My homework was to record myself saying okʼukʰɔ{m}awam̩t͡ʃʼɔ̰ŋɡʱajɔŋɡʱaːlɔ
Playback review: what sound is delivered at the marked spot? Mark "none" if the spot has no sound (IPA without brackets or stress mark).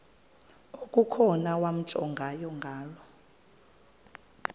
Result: n